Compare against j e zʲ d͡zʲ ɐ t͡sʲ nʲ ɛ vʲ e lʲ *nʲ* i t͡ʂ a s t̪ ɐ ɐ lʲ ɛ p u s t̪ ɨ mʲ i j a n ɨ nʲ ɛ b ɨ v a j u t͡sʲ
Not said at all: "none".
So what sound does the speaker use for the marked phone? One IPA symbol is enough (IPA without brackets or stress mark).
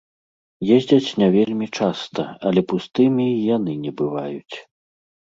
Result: mʲ